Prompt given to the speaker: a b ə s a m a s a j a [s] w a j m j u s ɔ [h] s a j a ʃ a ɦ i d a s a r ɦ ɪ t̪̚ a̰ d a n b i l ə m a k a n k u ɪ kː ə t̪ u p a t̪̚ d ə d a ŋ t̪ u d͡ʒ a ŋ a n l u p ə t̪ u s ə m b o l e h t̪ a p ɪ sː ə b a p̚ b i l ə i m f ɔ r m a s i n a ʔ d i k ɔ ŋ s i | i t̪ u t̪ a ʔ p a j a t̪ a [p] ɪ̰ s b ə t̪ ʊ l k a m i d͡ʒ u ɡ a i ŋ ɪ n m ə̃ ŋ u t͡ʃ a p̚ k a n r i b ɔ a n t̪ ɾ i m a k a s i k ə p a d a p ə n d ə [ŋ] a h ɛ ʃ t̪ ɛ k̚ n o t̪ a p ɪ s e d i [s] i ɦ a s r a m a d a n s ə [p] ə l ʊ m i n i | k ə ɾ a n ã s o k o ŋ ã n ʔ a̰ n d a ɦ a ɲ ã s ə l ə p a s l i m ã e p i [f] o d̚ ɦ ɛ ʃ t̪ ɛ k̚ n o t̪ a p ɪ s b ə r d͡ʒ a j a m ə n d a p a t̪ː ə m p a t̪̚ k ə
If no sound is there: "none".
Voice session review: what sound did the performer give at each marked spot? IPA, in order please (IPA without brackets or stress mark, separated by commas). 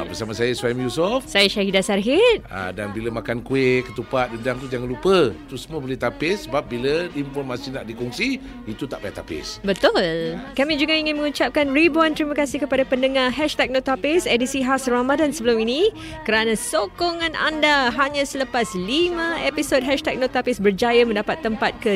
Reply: s, f, p, ŋ, s, b, s